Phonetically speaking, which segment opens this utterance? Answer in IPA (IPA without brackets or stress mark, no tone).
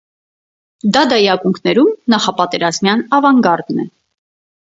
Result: d̪